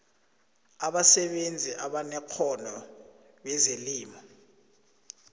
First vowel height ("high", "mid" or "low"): low